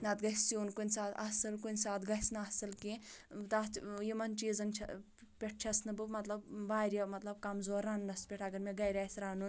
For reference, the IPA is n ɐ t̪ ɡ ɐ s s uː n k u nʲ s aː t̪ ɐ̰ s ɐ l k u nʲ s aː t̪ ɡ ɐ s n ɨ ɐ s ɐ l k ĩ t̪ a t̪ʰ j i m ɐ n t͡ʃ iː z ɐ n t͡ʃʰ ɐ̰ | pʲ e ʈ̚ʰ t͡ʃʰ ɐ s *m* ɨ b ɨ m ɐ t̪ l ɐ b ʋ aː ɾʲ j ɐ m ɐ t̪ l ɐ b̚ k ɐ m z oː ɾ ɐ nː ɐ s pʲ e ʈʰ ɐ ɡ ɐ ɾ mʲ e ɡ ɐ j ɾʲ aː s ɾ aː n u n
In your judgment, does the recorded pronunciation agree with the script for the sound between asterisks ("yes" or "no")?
no